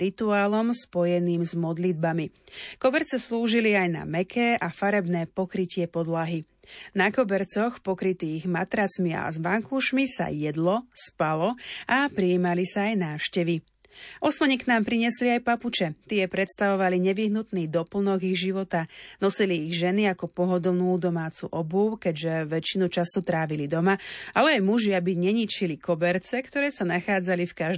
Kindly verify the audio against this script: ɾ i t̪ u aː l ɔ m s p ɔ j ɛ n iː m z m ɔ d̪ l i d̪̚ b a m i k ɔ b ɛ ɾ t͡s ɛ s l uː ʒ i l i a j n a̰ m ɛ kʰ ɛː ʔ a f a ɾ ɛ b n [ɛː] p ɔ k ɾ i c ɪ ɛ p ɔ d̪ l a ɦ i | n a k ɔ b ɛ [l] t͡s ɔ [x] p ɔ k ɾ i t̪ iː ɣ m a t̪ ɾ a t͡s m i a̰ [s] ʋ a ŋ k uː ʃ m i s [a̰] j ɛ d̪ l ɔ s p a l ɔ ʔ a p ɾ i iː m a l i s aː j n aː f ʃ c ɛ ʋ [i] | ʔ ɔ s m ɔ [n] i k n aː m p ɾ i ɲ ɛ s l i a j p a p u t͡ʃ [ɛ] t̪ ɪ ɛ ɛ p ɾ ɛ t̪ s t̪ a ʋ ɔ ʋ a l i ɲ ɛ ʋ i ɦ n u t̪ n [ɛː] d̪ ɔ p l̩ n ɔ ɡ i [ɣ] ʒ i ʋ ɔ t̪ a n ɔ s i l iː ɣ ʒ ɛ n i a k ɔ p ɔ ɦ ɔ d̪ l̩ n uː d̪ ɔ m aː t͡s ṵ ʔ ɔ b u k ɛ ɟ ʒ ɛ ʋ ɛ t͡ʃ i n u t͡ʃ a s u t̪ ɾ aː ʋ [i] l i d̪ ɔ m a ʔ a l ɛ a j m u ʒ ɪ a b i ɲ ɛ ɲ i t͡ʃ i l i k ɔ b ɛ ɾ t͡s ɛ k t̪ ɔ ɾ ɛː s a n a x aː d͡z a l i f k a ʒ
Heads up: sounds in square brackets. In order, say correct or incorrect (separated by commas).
correct, incorrect, correct, incorrect, correct, correct, incorrect, correct, incorrect, correct, correct